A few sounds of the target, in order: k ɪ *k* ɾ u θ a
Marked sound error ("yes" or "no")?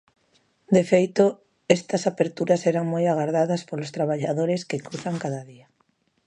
no